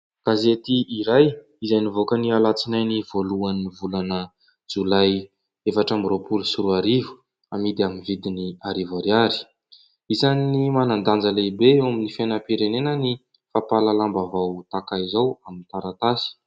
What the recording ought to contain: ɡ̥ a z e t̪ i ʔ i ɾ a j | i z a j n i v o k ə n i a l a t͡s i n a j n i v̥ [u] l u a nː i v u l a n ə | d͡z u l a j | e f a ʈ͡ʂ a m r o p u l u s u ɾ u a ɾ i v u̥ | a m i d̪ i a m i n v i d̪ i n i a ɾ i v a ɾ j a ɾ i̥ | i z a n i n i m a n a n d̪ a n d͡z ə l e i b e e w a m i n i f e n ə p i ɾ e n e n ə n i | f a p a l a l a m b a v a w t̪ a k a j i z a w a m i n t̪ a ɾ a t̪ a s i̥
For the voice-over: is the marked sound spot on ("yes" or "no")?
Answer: no